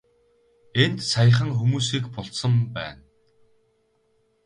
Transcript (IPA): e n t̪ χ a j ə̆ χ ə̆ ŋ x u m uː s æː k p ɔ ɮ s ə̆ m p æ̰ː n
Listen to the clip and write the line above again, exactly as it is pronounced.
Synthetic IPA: e n t̪ s a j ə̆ χ ə̆ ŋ x u m uː s iː k p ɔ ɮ s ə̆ m p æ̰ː n